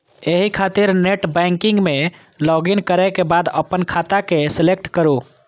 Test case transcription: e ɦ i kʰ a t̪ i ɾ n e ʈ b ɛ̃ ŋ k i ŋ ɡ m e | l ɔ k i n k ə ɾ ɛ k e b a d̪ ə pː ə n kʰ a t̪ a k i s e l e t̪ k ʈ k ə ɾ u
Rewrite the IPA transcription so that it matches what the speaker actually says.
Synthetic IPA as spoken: e ɦ i kʰ a t̪ i ɾ n e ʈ b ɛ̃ ŋ k i ŋ ɡ m e | l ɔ ɡ i n k ə ɾ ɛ k e b a d̪ ə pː ə n kʰ a t̪ a k e s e l e k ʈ k ə ɾ u